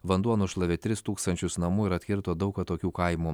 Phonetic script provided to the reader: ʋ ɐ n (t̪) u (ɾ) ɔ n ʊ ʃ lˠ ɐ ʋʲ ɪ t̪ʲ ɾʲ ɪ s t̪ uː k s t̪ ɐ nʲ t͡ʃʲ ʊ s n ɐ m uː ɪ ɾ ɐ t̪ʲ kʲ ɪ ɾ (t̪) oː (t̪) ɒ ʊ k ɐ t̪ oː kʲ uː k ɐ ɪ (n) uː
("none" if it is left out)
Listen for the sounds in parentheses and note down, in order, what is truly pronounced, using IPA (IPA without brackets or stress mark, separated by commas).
d̪, none, t̪, d̪, m